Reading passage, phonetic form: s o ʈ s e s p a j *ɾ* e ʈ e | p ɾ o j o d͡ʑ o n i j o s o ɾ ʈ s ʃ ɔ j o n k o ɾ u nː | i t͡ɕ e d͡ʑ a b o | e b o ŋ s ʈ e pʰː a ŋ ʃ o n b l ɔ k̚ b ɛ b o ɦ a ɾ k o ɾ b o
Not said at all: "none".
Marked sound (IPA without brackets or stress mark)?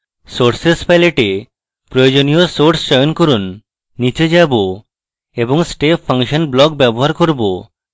l